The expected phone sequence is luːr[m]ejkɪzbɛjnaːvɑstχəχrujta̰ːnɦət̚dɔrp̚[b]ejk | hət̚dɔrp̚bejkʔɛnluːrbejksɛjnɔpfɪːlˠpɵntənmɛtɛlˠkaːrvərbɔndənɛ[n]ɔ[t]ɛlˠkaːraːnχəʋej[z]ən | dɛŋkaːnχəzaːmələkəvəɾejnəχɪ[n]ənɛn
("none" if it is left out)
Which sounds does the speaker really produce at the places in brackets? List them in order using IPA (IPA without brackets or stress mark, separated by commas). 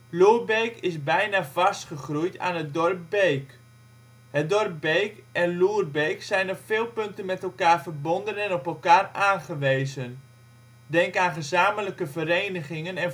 b, b, n, p, z, ŋ